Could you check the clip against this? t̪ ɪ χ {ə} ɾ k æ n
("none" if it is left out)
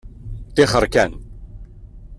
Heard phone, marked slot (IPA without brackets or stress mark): ə